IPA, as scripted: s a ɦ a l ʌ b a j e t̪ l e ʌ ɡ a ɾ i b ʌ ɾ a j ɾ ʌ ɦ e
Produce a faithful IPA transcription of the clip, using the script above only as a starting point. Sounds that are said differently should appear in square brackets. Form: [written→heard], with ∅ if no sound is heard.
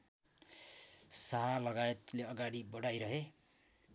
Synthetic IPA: s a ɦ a l ʌ [b→ɡ] a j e t̪ l e ʌ ɡ a [ɾ→ɽ] i b ʌ [ɾ→ɽ] a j ɾ ʌ ɦ e